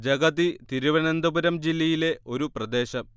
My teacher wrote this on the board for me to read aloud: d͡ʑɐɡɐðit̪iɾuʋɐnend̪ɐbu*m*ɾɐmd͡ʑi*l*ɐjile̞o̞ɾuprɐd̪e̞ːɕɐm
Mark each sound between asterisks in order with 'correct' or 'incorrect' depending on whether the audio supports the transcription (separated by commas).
incorrect, incorrect